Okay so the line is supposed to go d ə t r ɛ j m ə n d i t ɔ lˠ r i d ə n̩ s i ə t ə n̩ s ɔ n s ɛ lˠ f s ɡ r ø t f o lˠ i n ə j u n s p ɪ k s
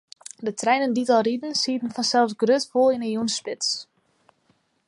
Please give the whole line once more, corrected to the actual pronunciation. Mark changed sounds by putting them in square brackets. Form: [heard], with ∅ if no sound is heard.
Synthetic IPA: d ə t r ɛ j [n] ə n d i t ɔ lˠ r i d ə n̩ s i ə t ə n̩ [f] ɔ n s ɛ lˠ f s ɡ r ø t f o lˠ i n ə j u n s p ɪ [t] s